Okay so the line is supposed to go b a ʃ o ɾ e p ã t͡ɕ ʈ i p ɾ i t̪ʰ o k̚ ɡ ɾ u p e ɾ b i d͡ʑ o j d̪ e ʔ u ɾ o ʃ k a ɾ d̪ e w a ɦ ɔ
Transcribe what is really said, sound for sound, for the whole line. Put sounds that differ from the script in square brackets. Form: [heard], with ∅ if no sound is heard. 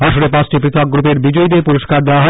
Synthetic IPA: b a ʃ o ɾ e p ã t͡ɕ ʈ i p ɾ i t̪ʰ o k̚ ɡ ɾ u p e ɾ b i d͡ʑ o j d̪ e [p] u ɾ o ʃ k a ɾ d̪ e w a ɦ ɔ